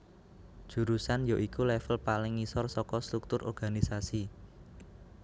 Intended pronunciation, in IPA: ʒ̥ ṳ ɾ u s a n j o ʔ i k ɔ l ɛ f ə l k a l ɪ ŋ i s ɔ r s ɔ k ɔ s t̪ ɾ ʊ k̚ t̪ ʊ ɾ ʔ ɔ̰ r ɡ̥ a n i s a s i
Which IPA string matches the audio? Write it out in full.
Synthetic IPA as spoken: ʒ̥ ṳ ɾ u s a n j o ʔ i k u l ɛ f ə l p a l ɪ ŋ i s ɔ r s ɔ k ɔ s t̪ ɾ u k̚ t̪ ʊ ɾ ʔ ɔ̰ r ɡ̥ a n i s a s i